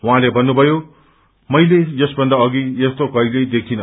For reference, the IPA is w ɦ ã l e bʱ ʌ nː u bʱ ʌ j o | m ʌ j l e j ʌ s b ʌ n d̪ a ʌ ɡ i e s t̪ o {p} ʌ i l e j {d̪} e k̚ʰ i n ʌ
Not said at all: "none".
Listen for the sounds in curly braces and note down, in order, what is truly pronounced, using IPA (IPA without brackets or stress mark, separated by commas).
k, d̪